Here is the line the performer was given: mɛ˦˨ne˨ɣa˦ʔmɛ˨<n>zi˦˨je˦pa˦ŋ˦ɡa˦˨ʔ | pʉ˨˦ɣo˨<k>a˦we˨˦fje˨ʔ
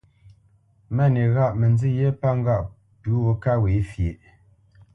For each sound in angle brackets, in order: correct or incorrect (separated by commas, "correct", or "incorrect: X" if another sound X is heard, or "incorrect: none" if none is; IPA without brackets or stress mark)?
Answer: correct, correct